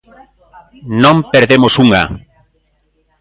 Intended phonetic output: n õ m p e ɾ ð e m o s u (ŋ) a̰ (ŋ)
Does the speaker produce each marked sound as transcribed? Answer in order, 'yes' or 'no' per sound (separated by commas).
yes, no